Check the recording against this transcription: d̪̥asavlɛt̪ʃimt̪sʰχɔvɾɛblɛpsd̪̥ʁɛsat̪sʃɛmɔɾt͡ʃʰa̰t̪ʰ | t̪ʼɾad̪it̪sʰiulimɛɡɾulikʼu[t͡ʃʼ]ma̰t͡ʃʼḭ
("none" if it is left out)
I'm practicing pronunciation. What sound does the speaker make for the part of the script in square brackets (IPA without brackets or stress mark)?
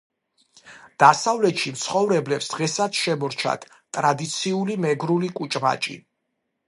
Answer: t͡ʃʼ